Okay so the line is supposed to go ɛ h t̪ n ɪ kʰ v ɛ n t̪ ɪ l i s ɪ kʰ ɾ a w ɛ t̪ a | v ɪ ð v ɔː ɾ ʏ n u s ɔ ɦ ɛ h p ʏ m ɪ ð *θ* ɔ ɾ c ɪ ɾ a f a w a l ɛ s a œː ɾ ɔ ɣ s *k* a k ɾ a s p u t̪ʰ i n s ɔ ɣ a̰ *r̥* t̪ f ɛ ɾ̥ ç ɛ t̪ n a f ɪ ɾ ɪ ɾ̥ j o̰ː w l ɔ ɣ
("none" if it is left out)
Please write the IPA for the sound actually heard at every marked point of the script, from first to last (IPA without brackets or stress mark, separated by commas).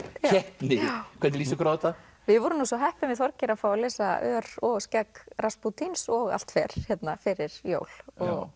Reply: θ, c, l̥